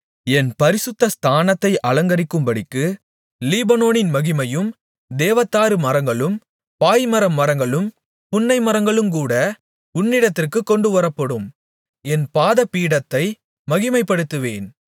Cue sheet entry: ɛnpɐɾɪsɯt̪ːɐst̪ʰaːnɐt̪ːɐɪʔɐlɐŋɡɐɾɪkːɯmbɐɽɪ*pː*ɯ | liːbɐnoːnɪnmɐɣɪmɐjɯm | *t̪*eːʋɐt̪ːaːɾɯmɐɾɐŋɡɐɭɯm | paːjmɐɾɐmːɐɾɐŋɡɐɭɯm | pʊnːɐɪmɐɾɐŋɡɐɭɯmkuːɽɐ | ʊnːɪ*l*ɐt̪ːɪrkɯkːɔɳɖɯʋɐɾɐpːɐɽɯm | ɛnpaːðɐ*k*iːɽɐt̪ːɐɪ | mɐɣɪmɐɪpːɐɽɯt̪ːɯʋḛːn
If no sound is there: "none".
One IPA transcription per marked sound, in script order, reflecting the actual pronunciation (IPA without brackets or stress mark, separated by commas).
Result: kː, d̪, ɽ, p